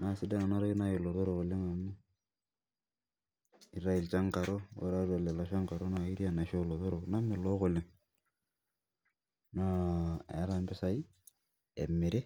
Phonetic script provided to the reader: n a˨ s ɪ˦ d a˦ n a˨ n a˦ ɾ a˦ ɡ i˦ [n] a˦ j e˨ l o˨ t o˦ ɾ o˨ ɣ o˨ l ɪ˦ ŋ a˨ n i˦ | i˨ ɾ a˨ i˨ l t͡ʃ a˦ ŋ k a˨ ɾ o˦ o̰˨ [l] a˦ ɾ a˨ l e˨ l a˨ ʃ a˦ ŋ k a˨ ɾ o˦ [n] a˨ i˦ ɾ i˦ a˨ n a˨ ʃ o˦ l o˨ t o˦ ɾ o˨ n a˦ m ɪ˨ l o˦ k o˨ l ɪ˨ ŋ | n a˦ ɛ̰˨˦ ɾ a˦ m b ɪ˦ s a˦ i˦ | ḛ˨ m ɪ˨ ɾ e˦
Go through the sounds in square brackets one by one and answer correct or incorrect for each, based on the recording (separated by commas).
correct, incorrect, correct